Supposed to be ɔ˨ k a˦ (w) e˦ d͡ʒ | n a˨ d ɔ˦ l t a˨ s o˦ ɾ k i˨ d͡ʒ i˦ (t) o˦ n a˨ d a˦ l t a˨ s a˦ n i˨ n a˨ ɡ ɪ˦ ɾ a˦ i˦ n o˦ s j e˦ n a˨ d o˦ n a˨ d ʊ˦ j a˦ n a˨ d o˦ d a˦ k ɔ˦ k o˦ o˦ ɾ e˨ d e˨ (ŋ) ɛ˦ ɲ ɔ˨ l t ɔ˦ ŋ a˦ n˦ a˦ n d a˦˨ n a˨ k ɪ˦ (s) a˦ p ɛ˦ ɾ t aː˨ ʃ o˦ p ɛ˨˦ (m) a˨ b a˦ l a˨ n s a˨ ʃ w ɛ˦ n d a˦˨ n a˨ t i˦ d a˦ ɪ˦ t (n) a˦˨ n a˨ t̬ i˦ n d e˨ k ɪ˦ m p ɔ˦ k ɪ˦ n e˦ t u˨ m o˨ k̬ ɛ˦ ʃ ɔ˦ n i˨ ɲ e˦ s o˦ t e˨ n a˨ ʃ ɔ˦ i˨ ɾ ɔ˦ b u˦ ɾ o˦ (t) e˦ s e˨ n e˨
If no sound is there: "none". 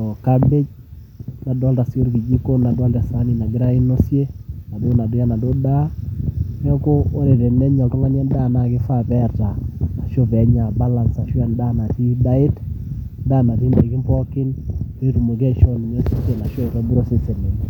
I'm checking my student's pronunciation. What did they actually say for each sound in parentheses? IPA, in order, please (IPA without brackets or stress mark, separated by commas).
b, k, n, f, ɲ, d, s